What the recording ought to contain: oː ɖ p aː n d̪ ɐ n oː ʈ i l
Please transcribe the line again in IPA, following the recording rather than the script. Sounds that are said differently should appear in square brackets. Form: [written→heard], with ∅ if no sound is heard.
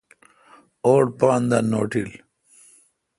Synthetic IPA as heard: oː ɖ p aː n d̪ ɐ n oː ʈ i l

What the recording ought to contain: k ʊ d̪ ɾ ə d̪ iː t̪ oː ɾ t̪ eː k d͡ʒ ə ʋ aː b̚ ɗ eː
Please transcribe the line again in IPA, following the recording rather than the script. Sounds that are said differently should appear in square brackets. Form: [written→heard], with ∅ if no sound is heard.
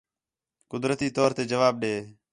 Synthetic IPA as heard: k ʊ d̪ ɾ ə [d̪→t̪] iː t̪ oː ɾ t̪ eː [k→∅] d͡ʒ ə ʋ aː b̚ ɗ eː

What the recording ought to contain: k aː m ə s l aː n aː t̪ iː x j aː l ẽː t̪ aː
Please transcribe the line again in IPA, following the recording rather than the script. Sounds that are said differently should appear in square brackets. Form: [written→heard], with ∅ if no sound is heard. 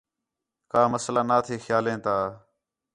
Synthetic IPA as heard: k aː m ə s l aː n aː [t̪→t̪ʰ] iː x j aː l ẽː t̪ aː

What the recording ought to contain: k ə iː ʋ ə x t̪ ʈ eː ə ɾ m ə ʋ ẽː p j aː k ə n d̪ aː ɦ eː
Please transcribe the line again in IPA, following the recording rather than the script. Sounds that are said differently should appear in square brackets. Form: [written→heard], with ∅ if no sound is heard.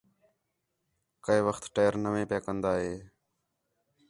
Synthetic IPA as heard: k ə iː ʋ ə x t̪ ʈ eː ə ɾ [m→n] ə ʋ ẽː p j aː k ə n d̪ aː ɦ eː

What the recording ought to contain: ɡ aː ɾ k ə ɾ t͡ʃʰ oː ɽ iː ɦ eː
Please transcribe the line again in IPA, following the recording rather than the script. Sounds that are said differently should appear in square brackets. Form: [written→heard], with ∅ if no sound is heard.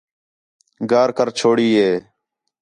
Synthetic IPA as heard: ɡ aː ɾ k ə ɾ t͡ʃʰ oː ɽ iː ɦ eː

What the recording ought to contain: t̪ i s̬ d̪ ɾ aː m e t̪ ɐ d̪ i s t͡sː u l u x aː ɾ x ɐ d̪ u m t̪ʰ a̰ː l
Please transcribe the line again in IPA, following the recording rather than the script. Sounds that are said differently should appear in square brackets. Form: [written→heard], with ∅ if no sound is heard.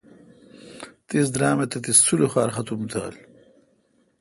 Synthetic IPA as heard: t̪ i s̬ d̪ ɾ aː m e t̪ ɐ [d̪→t̪] i s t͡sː u l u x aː ɾ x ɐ [d̪→t̪] u m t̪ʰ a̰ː l

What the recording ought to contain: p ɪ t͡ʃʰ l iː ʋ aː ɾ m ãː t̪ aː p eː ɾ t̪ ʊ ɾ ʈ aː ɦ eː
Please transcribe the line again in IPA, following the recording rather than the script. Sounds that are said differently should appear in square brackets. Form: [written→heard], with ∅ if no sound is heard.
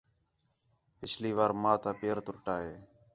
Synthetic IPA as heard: p ɪ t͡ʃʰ l iː ʋ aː ɾ m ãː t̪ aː p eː ɾ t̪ ʊ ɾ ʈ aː ɦ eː

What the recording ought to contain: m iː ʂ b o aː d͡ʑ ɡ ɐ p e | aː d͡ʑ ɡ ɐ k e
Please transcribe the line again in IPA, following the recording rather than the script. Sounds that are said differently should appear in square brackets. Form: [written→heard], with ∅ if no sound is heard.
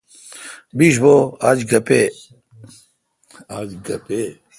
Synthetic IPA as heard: [m→b] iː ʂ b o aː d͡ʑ ɡ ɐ p e | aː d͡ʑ ɡ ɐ [k→p] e

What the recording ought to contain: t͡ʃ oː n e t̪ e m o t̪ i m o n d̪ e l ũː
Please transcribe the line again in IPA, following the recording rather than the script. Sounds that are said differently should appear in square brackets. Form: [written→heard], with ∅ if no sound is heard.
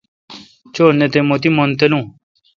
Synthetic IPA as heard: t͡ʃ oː n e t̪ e m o t̪ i m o n [d̪→t̪] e l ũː

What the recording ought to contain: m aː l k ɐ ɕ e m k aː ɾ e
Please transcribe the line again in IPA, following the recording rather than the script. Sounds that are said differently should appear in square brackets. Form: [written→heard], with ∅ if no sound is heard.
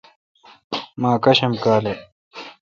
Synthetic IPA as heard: m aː [l→∅] k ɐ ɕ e m k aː [ɾ→l] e

